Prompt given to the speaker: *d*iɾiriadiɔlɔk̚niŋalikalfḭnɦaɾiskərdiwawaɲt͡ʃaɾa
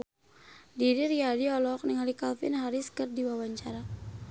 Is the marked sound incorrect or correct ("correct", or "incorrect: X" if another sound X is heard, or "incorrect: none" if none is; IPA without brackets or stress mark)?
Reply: correct